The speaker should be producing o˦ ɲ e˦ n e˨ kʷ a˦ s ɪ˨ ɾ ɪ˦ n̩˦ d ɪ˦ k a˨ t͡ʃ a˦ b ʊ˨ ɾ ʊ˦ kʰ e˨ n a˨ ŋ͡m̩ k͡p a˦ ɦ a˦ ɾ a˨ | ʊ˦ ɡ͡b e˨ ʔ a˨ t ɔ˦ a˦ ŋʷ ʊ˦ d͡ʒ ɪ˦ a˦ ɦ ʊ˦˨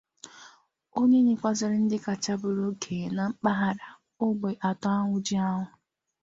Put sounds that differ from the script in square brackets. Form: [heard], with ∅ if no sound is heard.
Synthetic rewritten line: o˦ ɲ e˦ [ɲ] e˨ kʷ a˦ [z] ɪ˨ ɾ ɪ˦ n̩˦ d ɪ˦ k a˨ t͡ʃ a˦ b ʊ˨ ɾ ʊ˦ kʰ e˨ n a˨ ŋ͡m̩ k͡p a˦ ɦ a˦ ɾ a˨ | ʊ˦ ɡ͡b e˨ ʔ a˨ t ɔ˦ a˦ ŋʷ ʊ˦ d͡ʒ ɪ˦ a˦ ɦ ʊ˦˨